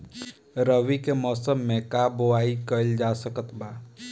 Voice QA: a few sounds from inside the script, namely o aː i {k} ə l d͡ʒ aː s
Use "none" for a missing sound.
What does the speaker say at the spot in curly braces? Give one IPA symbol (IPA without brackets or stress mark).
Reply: k